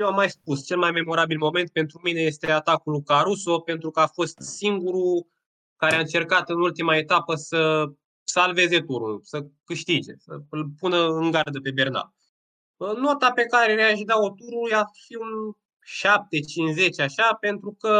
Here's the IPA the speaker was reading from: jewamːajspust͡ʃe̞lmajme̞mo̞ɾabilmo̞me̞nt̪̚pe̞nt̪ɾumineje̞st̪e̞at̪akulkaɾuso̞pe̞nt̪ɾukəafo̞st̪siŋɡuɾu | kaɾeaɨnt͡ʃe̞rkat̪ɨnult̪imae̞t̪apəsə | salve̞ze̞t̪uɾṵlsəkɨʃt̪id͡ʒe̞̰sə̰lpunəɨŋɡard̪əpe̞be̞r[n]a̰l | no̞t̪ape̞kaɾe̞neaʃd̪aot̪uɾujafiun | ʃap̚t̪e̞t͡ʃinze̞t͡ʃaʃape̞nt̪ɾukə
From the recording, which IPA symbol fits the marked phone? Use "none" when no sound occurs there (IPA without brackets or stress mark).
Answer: n